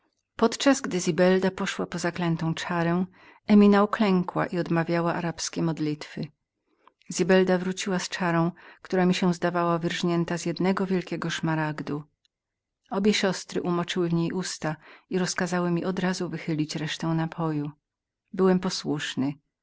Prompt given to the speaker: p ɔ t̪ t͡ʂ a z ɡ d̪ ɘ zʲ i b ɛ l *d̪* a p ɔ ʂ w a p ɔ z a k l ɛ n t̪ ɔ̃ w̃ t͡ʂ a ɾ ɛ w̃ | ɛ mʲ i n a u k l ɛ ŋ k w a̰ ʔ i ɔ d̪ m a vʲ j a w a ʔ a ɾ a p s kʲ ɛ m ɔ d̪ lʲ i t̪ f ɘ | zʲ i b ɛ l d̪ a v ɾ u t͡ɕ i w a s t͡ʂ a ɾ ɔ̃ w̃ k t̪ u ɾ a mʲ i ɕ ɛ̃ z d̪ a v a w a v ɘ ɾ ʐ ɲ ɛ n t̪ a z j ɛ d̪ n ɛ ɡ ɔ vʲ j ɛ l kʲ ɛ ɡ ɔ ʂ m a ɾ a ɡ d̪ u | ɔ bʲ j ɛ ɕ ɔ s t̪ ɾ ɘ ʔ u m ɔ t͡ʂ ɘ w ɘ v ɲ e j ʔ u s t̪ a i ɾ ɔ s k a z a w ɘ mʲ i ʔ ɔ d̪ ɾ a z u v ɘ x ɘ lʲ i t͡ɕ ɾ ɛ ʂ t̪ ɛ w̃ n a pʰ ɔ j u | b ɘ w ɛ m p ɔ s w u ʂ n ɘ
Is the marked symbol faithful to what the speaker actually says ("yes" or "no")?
yes